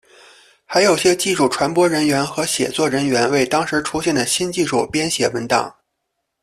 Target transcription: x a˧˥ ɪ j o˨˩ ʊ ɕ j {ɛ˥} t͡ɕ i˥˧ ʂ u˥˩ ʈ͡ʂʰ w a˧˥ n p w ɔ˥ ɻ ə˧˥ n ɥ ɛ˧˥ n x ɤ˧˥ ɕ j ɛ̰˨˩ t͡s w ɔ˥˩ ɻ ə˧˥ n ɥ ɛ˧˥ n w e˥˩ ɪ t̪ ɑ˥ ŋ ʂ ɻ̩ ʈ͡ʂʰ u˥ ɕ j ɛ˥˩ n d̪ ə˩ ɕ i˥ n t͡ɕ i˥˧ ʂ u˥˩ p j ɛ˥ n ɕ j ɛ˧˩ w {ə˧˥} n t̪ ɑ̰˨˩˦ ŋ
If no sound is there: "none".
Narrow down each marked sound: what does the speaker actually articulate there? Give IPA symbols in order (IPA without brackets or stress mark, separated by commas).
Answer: ɛ˥, ə˧˥